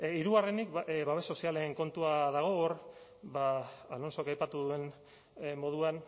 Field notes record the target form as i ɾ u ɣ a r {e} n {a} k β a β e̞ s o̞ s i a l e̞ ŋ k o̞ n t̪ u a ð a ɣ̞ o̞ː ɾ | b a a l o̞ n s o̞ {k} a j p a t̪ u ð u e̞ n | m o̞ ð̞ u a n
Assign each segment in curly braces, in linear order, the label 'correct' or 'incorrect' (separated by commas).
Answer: correct, incorrect, correct